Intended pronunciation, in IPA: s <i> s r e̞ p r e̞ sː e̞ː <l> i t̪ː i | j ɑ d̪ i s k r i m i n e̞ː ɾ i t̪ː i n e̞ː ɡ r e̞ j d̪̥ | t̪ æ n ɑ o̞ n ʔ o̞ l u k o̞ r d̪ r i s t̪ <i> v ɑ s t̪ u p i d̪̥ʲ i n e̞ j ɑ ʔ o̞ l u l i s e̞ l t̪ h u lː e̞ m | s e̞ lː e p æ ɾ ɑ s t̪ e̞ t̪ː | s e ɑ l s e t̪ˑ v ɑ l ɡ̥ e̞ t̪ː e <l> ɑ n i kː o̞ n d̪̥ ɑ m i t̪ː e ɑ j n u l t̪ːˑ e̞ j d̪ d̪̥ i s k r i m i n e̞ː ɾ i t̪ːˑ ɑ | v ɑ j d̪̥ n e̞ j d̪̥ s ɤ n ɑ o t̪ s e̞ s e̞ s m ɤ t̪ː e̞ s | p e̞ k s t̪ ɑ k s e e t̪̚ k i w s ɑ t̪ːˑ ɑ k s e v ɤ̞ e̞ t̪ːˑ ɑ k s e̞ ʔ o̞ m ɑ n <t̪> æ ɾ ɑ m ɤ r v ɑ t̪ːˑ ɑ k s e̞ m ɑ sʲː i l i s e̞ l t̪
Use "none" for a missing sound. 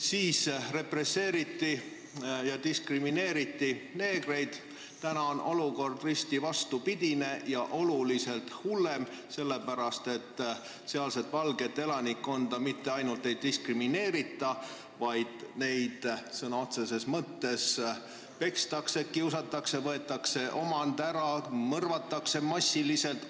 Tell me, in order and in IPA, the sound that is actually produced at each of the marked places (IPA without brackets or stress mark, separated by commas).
iː, ɾ, i, l, d̪